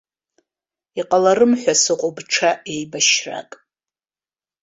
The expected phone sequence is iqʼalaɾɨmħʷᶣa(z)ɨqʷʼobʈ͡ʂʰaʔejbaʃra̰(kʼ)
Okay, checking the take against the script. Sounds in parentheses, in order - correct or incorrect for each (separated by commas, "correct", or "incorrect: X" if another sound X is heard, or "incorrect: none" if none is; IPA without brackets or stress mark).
incorrect: s, correct